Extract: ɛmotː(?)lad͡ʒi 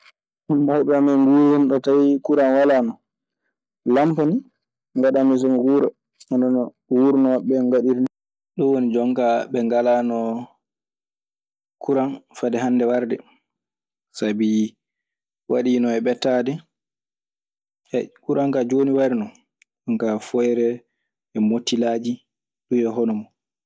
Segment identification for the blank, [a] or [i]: i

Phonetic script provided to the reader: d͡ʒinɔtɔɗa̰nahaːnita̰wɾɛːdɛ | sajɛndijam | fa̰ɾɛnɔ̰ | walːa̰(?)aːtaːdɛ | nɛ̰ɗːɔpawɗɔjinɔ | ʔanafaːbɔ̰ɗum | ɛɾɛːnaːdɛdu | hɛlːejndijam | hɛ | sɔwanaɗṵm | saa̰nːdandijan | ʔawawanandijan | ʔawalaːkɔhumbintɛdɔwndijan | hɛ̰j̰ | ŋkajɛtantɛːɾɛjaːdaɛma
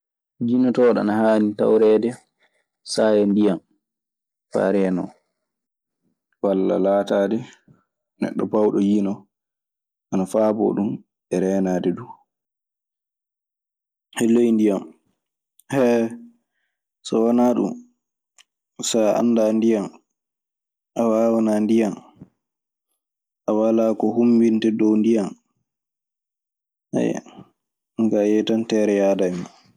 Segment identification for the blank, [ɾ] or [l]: l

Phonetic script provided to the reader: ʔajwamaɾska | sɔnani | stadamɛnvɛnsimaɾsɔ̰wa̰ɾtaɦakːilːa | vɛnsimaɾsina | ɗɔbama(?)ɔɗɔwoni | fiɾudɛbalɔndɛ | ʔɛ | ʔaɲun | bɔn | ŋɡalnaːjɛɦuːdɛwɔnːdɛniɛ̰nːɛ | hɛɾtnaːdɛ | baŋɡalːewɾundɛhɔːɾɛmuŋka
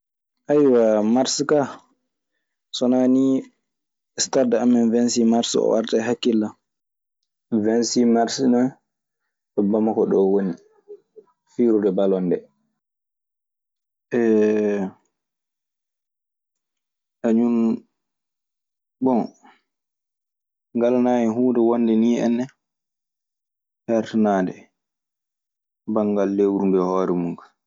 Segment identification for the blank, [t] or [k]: k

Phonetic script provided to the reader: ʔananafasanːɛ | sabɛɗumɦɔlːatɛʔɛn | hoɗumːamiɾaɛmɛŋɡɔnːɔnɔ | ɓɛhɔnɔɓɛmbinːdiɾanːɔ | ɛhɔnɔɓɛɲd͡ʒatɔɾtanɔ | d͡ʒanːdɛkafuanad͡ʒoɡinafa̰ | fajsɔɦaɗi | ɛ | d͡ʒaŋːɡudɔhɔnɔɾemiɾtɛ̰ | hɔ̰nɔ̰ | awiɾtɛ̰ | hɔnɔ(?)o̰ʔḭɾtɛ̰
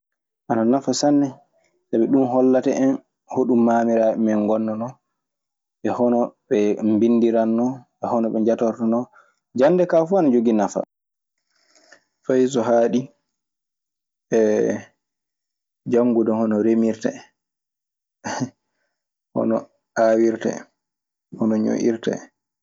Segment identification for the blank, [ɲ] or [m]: ɲ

